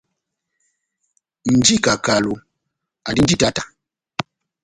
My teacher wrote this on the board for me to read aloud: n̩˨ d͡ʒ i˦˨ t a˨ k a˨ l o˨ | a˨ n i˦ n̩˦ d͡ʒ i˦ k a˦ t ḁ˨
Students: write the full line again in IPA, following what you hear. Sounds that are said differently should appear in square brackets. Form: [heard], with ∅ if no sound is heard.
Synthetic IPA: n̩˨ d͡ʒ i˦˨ [k] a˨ k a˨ l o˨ | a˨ [d] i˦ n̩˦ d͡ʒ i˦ [t] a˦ t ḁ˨

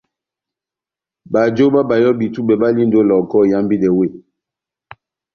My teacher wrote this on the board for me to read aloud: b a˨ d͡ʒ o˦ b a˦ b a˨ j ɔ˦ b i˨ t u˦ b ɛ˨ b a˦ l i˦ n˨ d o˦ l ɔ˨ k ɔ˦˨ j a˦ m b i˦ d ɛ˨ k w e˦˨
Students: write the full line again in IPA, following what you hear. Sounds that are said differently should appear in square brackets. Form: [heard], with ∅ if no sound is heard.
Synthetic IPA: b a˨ d͡ʒ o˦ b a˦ b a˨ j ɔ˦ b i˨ t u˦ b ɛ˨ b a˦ l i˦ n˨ d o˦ l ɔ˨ k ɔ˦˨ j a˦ m b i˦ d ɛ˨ [∅] w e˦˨

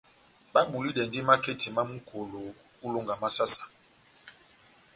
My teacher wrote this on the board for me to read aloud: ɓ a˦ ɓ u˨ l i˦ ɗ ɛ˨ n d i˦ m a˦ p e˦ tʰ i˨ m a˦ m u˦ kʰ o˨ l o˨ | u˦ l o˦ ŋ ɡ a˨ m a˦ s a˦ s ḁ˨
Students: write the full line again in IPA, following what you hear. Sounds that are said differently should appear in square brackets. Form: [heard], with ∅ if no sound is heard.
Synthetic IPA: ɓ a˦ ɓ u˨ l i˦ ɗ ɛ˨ n d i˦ m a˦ [k] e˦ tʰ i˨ m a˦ m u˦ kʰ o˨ l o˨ | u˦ l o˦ ŋ ɡ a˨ m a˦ s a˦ s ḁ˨

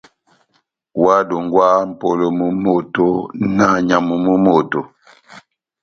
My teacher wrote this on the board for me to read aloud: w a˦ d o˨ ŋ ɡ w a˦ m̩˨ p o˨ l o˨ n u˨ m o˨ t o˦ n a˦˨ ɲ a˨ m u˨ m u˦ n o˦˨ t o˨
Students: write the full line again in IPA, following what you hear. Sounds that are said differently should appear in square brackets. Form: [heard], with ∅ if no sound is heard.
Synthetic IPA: w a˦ d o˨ ŋ ɡ w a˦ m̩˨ p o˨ l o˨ [m] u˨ m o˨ t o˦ n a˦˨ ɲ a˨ m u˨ m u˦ [m] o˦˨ t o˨

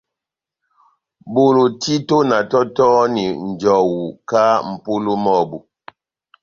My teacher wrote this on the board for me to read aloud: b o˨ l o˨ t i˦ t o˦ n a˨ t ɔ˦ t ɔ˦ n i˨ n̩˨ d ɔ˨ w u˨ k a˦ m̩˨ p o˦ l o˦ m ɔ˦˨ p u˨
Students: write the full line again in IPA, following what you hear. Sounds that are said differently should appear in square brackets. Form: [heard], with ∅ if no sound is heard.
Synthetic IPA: b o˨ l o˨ t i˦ t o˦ n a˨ t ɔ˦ t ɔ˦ n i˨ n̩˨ [d͡ʒ] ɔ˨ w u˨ k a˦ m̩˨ p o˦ l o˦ m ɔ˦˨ [b] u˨

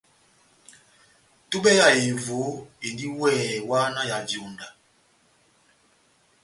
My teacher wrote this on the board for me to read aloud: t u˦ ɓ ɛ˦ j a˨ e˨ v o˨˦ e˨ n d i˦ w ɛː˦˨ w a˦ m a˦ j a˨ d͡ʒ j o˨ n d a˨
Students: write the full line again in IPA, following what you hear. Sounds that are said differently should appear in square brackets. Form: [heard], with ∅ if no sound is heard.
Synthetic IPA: t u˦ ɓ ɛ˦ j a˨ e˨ v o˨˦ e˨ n d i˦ w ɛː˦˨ w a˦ [n] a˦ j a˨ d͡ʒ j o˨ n d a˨

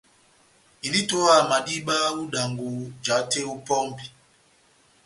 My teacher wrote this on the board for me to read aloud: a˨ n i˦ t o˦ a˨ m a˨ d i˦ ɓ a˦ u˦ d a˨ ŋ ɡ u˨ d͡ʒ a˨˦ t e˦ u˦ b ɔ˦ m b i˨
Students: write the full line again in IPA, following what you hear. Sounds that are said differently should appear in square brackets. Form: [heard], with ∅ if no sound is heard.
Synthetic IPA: [i˨] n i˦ t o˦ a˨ m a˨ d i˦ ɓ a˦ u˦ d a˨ ŋ ɡ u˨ d͡ʒ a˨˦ t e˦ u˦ [p] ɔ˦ m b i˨

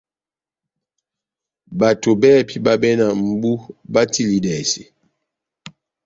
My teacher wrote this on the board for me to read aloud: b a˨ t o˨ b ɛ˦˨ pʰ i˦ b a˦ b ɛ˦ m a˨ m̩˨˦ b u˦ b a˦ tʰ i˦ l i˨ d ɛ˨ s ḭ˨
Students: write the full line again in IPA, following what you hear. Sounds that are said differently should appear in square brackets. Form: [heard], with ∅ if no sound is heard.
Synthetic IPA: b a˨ t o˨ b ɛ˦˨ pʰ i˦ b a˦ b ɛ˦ [n] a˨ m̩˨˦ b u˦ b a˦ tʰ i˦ l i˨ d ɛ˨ s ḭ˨

